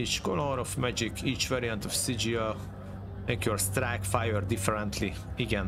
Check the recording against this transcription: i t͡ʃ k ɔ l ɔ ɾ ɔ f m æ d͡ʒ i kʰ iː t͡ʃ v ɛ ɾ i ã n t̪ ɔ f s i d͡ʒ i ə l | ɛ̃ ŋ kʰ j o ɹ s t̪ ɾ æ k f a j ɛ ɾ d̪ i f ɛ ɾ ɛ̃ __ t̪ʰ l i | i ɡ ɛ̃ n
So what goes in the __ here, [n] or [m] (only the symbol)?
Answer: n